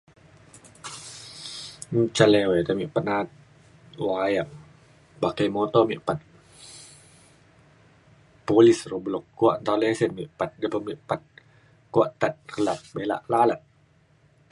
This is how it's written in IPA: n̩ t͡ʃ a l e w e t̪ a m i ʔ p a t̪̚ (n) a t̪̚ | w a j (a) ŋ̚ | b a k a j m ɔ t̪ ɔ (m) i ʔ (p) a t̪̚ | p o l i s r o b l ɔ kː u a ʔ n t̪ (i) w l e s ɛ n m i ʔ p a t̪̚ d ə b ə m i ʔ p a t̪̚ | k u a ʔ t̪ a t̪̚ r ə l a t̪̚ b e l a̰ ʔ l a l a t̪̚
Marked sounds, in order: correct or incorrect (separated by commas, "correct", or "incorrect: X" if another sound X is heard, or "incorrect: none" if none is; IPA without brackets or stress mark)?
correct, correct, correct, correct, incorrect: a